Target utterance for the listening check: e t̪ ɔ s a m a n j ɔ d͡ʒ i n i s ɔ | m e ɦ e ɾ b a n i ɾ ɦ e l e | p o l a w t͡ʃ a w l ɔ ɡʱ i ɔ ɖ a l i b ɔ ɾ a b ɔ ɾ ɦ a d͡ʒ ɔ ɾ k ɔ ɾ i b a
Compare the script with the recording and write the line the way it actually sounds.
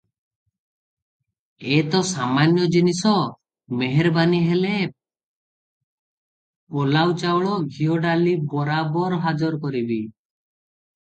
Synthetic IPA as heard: e t̪ ɔ s a m a n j ɔ d͡ʒ i n i s ɔ | m e ɦ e ɾ b a n i ɦ e l e | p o l a w t͡ʃ a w ɭ ɔ ɡʱ i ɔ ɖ a l i b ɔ ɾ a b ɔ ɾ ɦ a d͡ʒ ɔ ɾ k ɔ ɾ i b i